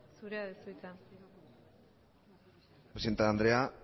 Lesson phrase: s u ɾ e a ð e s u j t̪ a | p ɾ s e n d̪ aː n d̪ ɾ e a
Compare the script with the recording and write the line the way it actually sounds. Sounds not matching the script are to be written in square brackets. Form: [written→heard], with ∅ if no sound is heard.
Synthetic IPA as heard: s u ɾ e a ð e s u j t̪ a | p ɾ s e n [d̪→t̪] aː n d̪ ɾ e a